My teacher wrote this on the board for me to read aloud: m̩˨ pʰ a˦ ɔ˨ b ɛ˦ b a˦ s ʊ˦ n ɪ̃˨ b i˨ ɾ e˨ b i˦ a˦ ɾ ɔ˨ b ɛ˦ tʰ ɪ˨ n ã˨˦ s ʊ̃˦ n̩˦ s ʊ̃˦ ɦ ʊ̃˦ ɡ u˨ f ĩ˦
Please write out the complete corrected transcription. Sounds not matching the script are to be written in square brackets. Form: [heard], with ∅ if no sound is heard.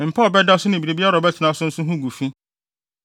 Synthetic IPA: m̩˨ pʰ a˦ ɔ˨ b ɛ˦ [d] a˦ s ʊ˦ n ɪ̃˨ b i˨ ɾ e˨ b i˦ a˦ ɾ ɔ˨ b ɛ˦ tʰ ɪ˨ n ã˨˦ s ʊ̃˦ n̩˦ s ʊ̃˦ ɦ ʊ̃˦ ɡ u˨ f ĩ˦